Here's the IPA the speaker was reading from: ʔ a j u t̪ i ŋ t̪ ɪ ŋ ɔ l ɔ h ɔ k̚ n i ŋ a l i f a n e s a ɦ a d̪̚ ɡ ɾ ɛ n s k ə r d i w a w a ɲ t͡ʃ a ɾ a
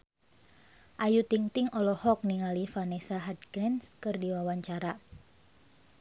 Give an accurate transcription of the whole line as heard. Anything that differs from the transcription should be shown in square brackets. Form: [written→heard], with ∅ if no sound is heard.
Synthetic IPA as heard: ʔ a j u t̪ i ŋ t̪ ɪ ŋ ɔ l ɔ h ɔ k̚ n i ŋ a l i f a n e s a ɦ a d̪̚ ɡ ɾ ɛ n s k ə r d i w a w a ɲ t͡ʃ a ɾ a